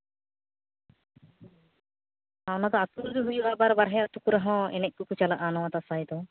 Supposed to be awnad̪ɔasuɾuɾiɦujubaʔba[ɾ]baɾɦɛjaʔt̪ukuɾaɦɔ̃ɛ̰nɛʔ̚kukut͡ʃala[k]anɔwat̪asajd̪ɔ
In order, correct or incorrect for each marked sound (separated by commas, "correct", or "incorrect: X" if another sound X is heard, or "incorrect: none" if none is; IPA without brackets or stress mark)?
correct, incorrect: ʔ